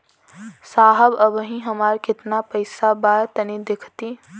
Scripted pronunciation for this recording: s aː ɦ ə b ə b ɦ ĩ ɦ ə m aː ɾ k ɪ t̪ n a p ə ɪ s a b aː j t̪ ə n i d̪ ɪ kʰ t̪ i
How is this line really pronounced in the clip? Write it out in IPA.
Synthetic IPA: s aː ɦ ə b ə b ɦ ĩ ɦ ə m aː ɾ k ɪ t̪ n a p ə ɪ s a b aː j t̪ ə n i d̪ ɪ kʰ t̪ i